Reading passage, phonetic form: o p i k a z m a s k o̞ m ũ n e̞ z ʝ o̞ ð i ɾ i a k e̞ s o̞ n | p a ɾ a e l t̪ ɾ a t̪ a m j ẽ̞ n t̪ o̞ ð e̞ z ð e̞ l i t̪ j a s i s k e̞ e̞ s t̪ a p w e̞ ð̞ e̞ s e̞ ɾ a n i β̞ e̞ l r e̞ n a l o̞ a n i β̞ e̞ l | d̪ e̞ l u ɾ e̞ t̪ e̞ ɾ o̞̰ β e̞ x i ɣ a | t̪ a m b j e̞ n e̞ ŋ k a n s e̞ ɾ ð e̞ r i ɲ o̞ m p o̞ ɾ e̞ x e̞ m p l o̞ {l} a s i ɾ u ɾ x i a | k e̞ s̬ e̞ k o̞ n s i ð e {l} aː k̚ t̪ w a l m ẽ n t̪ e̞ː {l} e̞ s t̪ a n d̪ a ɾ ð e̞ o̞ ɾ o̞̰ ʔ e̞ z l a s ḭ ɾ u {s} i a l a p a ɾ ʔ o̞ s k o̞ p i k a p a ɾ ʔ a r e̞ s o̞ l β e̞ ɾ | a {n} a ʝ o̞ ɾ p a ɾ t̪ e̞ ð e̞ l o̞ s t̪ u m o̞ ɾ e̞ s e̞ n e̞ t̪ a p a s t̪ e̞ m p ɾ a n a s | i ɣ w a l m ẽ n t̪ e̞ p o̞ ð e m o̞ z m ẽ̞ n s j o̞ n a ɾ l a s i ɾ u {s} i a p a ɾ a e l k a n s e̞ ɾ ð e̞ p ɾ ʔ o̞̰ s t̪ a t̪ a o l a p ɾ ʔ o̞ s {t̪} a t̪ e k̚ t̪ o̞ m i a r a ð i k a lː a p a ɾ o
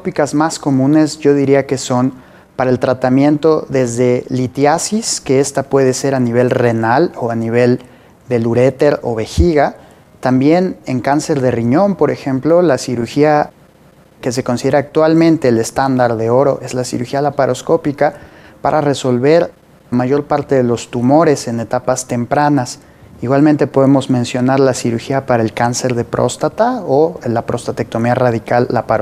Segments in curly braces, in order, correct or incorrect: correct, incorrect: ɾ, correct, incorrect: x, incorrect: m, incorrect: x, correct

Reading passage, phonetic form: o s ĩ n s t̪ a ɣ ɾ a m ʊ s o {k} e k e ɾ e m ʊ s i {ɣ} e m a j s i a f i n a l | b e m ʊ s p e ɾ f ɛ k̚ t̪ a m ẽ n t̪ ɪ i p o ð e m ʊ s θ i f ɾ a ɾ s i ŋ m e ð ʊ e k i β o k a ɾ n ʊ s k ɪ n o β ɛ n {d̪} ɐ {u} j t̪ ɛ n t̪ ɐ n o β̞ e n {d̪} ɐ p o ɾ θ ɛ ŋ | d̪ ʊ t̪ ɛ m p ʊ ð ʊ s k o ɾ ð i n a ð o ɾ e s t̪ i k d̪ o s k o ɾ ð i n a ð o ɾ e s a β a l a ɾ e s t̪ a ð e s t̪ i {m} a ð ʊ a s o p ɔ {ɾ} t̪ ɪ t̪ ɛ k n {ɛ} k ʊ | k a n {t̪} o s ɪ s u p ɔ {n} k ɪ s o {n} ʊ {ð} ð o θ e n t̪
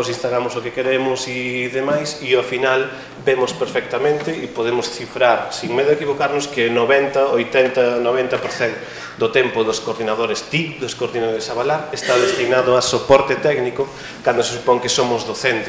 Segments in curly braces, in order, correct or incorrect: correct, incorrect: ð, incorrect: t̪, incorrect: o, incorrect: t̪, incorrect: n, correct, incorrect: i, incorrect: d̪, incorrect: ŋ, incorrect: m, incorrect: z

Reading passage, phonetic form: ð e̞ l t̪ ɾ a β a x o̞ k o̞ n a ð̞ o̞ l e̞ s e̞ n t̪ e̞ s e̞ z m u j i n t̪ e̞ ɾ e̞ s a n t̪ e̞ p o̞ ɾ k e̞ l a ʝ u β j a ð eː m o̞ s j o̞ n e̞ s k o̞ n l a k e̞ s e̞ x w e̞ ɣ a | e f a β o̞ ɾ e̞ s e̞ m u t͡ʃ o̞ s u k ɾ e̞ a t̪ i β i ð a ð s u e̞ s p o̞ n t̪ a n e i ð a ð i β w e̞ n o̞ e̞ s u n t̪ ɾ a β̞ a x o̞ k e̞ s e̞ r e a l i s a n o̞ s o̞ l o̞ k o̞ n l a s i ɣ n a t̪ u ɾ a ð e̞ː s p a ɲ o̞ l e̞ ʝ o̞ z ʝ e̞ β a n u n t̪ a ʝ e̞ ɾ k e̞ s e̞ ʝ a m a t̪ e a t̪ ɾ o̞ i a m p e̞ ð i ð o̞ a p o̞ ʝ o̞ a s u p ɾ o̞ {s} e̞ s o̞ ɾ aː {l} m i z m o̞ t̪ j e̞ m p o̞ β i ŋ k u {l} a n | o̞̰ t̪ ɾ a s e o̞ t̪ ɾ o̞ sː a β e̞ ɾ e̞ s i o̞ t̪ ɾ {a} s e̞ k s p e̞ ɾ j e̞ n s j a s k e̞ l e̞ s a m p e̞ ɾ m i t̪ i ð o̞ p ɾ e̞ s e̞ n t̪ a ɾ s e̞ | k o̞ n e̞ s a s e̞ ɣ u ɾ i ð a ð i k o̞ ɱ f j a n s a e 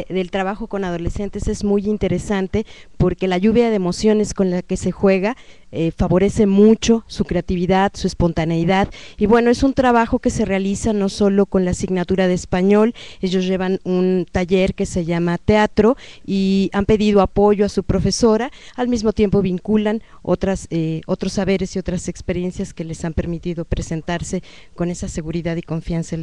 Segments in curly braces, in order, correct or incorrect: incorrect: f, correct, correct, correct

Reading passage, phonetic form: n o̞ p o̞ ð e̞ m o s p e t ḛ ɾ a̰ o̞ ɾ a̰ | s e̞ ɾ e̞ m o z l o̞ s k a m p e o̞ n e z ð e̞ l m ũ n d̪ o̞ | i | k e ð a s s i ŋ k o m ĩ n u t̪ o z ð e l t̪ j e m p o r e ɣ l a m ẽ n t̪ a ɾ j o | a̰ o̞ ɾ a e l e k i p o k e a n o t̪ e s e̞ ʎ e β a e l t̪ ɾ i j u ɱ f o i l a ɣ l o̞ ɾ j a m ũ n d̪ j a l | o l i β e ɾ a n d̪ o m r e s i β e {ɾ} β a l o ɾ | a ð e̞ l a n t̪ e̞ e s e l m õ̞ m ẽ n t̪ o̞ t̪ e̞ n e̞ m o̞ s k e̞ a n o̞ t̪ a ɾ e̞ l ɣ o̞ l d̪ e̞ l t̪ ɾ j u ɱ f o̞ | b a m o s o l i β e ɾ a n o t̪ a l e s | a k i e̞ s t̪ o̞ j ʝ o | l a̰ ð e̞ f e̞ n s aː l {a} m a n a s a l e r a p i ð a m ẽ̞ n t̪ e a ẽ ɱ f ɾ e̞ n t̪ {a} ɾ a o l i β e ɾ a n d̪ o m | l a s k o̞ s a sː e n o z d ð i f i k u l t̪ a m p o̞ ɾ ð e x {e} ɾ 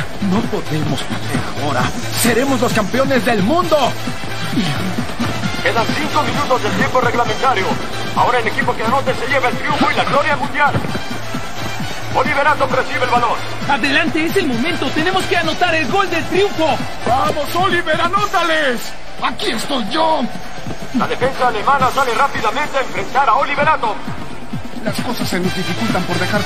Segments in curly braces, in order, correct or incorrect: incorrect: l, incorrect: e, correct, incorrect: a

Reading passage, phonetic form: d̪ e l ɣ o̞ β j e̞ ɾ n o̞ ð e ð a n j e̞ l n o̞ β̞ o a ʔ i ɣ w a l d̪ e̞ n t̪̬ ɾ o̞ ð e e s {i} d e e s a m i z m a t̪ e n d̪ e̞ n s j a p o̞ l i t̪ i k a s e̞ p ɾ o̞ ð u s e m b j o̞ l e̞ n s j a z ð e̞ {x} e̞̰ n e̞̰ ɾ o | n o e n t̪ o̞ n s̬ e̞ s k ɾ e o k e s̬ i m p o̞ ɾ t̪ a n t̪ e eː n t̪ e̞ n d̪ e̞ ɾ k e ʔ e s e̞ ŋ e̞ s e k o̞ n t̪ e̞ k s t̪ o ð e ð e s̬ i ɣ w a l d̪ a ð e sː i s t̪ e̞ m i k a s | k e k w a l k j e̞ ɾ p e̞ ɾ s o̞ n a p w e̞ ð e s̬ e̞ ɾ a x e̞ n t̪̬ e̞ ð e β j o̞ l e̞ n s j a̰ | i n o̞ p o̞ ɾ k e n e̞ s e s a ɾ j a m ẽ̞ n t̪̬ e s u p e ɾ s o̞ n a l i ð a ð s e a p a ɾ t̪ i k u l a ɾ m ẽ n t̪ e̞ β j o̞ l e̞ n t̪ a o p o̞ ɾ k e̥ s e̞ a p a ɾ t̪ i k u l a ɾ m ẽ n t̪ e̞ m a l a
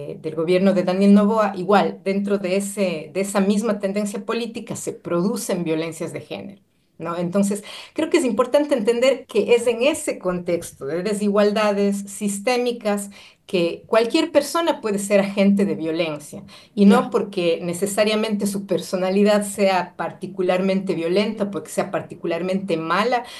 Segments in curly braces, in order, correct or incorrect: incorrect: e, correct

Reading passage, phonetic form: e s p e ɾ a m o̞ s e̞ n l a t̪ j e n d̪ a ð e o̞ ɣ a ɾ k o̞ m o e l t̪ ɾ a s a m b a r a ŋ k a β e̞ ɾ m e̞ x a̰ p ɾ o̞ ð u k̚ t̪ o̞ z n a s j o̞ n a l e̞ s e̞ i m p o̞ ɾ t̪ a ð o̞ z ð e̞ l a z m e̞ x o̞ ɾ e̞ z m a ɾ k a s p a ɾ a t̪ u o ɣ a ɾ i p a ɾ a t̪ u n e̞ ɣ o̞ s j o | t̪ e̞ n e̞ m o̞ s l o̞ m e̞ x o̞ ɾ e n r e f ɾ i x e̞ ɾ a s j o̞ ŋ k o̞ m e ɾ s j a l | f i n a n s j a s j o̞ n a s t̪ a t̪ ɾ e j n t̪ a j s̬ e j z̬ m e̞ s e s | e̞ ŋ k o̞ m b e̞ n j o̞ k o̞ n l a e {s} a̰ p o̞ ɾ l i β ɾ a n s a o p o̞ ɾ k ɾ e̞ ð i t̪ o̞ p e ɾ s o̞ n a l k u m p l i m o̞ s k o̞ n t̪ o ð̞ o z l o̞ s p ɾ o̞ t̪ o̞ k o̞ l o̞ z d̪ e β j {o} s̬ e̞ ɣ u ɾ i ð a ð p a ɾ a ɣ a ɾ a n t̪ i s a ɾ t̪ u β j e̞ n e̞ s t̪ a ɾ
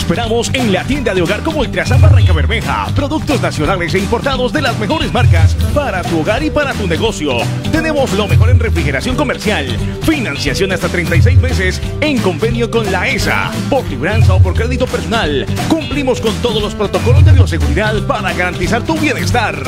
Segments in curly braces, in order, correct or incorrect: correct, correct

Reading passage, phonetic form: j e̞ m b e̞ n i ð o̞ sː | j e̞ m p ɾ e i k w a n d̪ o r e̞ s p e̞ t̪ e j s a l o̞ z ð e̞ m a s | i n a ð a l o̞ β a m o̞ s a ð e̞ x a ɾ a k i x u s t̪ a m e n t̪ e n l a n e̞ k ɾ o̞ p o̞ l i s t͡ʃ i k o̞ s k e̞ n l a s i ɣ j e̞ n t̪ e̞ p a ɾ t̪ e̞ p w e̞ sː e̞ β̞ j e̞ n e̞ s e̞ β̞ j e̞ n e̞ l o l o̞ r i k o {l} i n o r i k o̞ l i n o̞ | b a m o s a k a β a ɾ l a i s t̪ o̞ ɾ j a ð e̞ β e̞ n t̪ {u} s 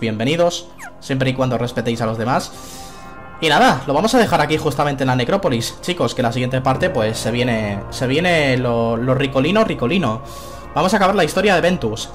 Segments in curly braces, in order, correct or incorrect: correct, correct

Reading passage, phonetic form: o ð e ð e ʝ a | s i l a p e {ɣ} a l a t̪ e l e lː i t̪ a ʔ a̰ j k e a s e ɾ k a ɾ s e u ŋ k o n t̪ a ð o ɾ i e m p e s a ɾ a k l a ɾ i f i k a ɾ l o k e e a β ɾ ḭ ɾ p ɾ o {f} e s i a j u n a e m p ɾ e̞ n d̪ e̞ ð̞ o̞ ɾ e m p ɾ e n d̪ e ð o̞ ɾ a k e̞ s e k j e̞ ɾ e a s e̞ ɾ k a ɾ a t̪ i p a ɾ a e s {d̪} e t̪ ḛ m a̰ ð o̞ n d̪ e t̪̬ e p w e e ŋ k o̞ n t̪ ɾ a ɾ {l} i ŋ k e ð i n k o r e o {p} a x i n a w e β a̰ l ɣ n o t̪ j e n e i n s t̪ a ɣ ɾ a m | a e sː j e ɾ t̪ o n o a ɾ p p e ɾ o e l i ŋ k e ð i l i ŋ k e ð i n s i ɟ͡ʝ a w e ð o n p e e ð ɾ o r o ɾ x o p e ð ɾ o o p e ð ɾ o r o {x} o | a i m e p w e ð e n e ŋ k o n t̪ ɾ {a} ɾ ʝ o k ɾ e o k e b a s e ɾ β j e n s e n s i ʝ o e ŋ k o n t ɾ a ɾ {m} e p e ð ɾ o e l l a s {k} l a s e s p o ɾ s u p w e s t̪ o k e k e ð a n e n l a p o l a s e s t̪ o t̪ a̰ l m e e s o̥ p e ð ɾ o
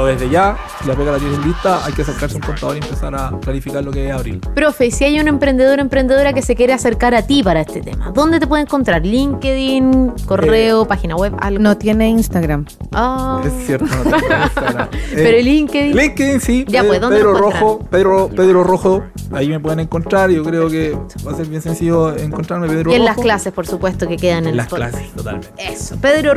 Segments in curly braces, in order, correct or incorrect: correct, correct, incorrect: t̪, correct, correct, correct, correct, correct, correct

